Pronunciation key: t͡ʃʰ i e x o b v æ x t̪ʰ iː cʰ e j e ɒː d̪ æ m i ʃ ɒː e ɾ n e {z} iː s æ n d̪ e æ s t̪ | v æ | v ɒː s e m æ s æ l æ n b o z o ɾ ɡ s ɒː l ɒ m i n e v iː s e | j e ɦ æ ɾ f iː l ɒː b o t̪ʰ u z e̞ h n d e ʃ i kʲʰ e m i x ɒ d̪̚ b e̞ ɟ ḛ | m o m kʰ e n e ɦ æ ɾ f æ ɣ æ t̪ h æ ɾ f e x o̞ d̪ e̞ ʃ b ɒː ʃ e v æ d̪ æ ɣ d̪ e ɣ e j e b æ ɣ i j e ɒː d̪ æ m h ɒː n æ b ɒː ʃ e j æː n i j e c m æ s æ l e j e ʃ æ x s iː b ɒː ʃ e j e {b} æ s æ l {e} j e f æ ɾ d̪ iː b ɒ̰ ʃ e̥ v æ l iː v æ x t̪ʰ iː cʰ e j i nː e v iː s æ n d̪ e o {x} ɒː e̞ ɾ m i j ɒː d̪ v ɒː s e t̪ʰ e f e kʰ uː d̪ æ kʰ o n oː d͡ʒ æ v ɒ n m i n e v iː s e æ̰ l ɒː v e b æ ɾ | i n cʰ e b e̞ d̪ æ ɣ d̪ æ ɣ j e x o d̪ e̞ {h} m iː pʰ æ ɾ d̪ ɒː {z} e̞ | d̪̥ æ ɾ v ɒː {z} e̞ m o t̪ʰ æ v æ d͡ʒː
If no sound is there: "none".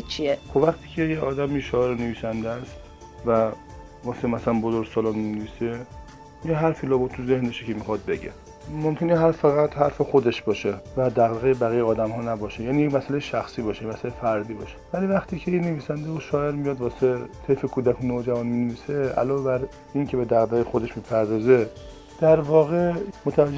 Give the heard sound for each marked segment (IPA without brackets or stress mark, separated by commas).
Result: v, m, e, ʃ, ʃ, z, ɣ